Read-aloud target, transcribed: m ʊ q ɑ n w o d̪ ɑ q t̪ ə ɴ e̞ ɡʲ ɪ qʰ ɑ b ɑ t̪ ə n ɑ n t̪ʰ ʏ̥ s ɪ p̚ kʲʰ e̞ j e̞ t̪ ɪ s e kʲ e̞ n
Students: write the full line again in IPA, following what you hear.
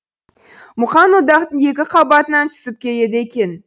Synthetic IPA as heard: m ʊ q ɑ n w o d̪ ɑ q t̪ ə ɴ e̞ kʲ ɪ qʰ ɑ b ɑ t̪ ə n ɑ n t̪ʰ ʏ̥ s ɪ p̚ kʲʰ e̞ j e̞ d̪ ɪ e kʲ e̞ n